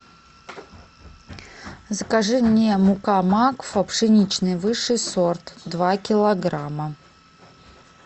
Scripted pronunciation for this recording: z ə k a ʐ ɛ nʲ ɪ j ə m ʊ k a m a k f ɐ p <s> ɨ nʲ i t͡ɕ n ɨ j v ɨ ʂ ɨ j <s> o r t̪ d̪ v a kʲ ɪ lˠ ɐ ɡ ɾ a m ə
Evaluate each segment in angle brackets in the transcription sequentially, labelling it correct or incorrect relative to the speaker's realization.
incorrect, correct

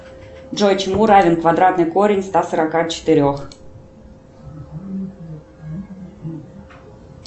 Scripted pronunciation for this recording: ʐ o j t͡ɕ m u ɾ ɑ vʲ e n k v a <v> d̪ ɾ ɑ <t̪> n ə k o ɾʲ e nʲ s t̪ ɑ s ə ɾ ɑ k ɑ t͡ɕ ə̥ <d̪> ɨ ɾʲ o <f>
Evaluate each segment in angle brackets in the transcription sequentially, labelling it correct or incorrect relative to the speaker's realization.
incorrect, correct, incorrect, incorrect

